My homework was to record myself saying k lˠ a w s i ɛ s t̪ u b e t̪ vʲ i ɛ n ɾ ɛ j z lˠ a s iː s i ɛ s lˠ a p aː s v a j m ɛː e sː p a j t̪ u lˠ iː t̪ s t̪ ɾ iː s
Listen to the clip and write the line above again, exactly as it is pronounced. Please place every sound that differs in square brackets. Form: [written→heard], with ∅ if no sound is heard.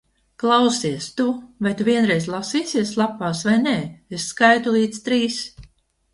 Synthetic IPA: k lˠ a w s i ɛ s t̪ u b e t̪ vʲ i ɛ n ɾ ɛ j z lˠ a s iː s i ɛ s lˠ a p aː s v a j [m→n] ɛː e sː [p→k] a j t̪ u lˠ iː t̪ s t̪ ɾ iː s